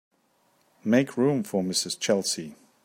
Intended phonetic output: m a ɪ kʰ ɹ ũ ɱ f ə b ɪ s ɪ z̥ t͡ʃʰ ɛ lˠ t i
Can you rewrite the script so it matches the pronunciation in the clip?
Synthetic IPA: m e ɪ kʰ ɹ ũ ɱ f ə m ɪ s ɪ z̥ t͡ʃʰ ɛ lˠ s i